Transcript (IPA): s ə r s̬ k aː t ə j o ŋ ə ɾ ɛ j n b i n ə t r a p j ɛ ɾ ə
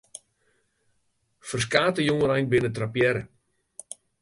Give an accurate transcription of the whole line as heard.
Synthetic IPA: f ə r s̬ k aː t ə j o ŋ ə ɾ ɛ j n b ɪ n ə t r a p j ɛ ɾ ə